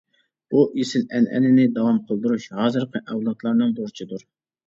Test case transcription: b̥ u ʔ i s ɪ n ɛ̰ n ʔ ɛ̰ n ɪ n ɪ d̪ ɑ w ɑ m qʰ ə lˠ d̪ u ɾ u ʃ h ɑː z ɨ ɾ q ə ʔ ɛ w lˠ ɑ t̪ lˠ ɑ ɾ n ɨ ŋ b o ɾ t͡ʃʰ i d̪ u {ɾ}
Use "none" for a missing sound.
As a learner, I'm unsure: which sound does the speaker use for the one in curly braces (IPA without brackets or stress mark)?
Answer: ɾ